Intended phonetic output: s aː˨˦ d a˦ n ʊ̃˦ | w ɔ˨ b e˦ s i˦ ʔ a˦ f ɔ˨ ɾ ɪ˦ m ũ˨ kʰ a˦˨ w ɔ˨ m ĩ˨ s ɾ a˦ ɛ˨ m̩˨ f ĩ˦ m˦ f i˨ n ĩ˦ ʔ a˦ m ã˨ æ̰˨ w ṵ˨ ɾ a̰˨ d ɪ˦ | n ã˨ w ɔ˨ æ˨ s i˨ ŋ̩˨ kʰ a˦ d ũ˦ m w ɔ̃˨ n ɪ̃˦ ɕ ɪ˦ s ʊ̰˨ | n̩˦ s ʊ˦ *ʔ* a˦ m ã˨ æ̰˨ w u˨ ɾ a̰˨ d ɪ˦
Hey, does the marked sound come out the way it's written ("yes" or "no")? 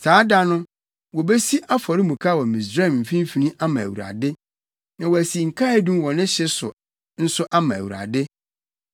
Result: yes